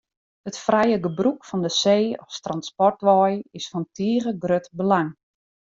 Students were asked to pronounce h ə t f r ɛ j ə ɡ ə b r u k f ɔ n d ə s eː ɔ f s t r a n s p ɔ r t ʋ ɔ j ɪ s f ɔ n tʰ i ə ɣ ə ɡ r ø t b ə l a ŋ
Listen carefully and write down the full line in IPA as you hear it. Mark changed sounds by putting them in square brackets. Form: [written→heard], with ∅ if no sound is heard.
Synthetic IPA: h ə t f r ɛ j ə ɡ ə b r u k f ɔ n d ə s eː ɔ f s t r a n s p ɔ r t ʋ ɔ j ɪ s f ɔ n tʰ i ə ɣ ə ɡ r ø t b ə l a ŋ